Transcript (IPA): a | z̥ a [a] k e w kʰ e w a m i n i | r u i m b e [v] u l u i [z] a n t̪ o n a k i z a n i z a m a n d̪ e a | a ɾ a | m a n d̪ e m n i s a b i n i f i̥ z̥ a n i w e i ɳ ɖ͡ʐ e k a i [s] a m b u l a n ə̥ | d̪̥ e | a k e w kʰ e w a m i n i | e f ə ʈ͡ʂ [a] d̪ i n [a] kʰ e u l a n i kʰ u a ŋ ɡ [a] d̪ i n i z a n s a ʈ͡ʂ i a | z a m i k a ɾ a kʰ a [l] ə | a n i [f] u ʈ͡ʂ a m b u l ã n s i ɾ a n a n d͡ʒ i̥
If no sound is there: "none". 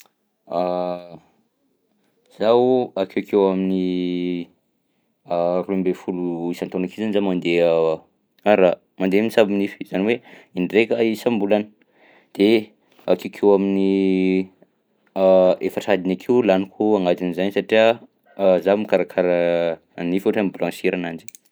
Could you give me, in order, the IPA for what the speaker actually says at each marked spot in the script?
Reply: a, f, s, s, a, a, a, ɾ, f

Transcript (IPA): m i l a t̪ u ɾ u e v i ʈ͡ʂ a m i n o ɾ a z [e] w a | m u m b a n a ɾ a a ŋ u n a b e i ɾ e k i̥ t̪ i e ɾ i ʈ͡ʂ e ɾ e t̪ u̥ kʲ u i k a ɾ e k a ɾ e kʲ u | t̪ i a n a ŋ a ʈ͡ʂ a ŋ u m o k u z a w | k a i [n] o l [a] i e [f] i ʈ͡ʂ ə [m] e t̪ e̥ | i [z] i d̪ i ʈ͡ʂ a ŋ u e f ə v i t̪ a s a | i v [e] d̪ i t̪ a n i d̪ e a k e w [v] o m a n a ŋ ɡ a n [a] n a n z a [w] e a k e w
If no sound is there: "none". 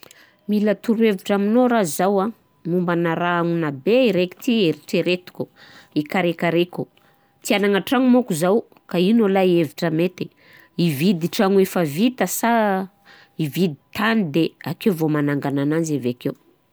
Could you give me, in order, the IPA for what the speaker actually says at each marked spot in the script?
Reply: a, n, a, v, m, v, i, v, a, v

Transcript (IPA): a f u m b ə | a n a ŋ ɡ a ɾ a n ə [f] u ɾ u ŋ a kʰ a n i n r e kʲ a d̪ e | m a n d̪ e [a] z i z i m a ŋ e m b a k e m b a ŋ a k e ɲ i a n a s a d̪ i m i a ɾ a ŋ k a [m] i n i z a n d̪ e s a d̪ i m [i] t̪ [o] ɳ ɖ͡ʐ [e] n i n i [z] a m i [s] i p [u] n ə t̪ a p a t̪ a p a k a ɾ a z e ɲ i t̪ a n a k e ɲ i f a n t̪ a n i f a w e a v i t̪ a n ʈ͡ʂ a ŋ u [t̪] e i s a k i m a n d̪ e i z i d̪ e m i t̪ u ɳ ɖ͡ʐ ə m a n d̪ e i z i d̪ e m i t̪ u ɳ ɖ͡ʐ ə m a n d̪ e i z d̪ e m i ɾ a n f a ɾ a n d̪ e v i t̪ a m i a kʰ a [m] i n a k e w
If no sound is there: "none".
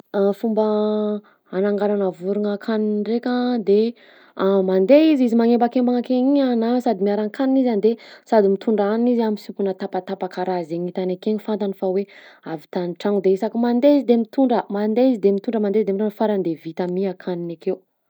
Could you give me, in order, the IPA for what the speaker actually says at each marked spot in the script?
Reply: v, i, n, i, u, a, z, s, u, d̪, n

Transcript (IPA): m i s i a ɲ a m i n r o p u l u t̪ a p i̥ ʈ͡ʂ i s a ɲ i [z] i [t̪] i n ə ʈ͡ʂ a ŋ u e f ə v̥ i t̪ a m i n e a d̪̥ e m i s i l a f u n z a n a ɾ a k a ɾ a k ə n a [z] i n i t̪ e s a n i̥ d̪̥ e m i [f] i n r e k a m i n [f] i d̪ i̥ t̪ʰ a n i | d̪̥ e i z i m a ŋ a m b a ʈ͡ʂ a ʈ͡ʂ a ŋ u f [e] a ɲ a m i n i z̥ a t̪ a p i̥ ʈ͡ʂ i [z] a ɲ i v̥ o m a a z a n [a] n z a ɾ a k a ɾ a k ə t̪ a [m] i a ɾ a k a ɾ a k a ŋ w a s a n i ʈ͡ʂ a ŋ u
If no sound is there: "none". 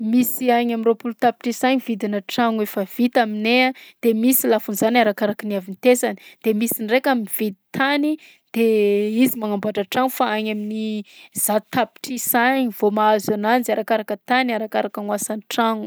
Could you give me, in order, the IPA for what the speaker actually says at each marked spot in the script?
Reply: v, d̪, v, s, v, a, s, a, n

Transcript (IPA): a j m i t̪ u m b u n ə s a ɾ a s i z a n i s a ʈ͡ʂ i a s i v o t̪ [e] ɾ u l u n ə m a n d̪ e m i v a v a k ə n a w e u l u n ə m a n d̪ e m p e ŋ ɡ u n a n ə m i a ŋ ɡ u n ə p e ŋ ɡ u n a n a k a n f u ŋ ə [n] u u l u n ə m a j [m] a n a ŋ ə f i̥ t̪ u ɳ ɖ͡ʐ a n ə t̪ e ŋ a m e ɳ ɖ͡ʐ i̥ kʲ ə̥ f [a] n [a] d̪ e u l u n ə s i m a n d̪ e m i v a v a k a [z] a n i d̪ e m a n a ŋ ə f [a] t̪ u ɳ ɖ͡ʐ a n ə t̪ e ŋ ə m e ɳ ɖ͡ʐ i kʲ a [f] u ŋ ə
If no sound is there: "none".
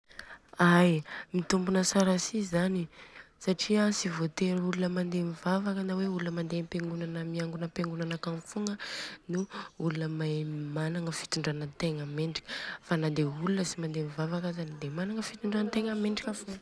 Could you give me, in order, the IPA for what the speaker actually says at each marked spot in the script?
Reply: e, n, m, a, a, z, i, f

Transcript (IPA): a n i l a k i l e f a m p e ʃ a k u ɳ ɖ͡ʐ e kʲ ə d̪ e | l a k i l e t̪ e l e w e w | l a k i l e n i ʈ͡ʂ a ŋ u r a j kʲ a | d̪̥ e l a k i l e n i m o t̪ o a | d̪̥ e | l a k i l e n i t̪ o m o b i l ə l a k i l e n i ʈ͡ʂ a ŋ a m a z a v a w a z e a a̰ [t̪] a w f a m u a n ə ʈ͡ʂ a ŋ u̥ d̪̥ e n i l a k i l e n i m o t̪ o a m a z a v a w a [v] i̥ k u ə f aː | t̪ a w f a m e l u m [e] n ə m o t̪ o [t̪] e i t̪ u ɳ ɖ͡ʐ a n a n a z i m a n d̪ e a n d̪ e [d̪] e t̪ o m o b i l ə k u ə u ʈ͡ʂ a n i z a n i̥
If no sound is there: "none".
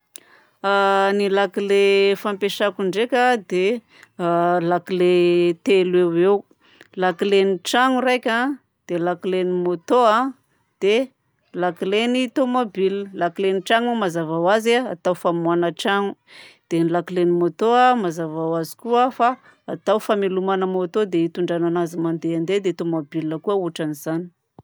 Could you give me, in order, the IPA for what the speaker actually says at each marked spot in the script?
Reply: t̪, z, a, d̪, d̪

